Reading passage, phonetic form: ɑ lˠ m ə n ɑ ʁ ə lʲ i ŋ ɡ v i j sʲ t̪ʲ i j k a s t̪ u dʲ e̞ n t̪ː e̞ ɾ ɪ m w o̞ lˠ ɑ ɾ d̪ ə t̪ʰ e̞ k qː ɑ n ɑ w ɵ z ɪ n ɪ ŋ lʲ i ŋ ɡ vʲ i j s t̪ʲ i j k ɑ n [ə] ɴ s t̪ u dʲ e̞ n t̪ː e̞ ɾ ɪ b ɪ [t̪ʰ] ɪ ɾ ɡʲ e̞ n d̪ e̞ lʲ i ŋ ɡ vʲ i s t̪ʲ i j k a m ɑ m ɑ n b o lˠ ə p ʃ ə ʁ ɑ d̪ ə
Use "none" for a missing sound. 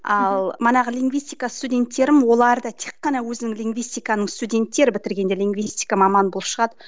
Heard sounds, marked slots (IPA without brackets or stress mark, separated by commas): ə, t̪